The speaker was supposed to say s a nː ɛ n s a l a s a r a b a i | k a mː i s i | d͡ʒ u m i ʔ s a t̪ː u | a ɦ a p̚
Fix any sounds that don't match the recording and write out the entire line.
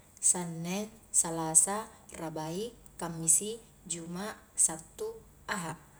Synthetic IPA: s a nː ɛ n s a l a s a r a b a i | k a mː i s i | d͡ʒ u m a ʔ s a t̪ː u | a ɦ a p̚